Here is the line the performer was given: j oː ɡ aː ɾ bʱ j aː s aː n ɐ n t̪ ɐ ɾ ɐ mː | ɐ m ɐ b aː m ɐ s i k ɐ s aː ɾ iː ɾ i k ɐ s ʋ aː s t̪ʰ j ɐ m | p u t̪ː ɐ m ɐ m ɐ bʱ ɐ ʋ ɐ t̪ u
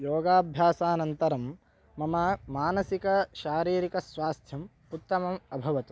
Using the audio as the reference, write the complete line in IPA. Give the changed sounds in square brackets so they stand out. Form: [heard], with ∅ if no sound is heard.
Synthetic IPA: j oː ɡ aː [∅] bʱ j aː s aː n ɐ n t̪ ɐ ɾ ɐ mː | ɐ m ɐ [m] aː [n] ɐ s i k ɐ [ʃ] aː ɾ iː ɾ i k ɐ s ʋ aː s t̪ʰ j ɐ m | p u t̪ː ɐ m ɐ m ɐ bʱ ɐ ʋ ɐ t̪ u